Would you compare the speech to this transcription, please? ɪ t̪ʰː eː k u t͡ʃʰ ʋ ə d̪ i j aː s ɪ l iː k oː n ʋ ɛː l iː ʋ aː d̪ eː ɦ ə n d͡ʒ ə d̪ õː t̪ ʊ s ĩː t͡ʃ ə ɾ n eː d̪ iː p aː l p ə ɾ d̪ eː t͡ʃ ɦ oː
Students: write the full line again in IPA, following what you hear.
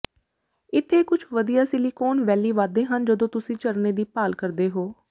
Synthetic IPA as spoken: ɪ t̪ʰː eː k ʊ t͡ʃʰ ʋ ə d̪ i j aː s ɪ l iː k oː n ʋ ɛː l iː ʋ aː d̪ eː ɦ ə n d͡ʒ ə d̪ õː t̪ ʊ s ĩː t͡ʃ ə ɾ n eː d̪ iː p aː l k ə ɾ d̪ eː ɦ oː